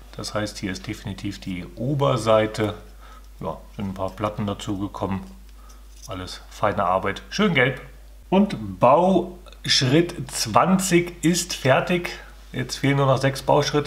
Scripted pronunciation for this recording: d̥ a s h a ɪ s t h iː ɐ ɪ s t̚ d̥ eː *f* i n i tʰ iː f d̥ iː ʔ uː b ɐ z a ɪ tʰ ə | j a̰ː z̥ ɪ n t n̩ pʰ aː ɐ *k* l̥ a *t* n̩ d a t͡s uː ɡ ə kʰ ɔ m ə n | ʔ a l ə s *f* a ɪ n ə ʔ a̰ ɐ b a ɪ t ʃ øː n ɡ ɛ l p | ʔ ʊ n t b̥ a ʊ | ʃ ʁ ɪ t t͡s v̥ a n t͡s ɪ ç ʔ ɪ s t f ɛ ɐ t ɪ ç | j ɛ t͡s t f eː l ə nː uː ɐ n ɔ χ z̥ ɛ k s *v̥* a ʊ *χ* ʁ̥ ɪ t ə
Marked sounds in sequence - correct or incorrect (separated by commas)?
correct, incorrect, correct, correct, incorrect, incorrect